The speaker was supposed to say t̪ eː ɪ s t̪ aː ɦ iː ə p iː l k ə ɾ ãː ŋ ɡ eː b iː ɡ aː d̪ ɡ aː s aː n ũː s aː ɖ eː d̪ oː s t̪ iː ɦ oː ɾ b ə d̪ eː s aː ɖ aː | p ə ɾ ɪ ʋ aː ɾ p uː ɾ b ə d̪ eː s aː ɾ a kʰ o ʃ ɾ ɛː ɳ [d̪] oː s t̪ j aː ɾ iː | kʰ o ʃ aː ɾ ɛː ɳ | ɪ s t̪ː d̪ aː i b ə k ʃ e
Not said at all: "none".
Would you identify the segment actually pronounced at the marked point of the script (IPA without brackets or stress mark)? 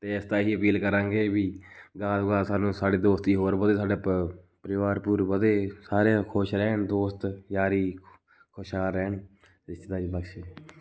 d̪